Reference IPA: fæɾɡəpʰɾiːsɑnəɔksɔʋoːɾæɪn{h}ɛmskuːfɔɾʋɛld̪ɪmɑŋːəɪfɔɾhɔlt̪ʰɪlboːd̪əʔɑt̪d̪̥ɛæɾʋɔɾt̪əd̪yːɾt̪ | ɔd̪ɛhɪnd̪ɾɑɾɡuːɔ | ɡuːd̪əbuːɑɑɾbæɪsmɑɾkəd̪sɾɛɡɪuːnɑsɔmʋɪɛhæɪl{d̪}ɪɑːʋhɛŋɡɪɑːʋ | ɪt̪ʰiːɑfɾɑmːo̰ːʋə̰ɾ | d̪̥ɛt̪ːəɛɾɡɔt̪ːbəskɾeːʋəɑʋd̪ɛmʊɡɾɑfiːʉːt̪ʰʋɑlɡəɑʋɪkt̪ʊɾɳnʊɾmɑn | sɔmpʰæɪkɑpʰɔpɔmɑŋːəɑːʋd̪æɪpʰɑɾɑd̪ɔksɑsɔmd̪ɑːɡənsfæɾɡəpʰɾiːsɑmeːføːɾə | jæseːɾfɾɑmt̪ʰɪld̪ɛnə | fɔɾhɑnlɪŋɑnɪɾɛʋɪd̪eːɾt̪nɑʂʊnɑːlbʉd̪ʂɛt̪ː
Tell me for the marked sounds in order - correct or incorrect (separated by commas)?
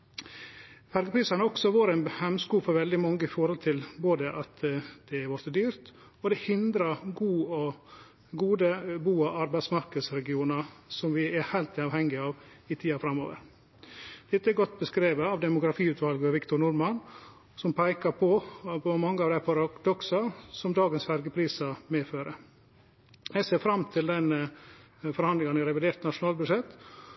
correct, incorrect